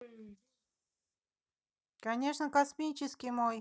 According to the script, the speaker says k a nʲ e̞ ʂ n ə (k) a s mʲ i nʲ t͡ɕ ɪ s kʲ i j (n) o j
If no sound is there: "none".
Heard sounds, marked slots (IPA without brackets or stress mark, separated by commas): k, m